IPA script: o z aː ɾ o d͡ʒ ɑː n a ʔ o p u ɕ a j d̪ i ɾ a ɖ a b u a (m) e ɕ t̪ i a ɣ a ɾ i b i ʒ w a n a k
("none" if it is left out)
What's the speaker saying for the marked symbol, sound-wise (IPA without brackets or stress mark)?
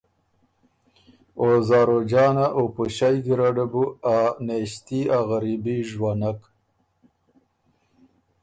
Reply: n